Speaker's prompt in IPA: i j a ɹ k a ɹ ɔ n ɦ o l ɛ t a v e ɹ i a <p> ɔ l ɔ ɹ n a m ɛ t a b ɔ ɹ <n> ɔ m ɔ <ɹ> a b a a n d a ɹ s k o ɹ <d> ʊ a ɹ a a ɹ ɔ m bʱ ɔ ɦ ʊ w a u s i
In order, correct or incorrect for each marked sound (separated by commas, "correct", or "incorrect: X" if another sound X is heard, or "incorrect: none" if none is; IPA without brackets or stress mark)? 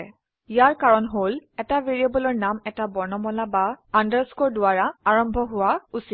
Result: incorrect: b, correct, incorrect: l, correct